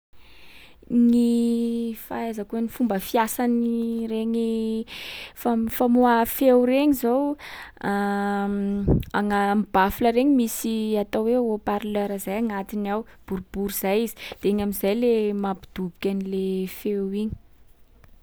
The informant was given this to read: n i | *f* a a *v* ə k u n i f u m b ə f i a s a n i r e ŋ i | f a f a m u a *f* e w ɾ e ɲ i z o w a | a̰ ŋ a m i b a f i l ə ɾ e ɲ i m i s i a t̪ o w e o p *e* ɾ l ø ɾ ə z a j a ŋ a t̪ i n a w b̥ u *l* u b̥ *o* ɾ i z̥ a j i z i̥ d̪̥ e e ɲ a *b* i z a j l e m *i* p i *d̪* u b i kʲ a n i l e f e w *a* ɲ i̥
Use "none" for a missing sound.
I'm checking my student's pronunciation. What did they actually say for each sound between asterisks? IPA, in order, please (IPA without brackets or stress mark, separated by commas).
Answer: f, z, f, a, ɾ, u, m, a, d̪, i